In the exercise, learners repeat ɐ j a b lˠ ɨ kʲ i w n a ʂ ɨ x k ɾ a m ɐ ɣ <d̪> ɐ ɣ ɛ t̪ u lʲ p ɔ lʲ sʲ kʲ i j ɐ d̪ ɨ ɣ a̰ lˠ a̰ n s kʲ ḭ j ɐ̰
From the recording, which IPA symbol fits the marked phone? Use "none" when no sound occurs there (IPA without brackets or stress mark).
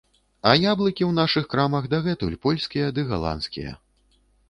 d̪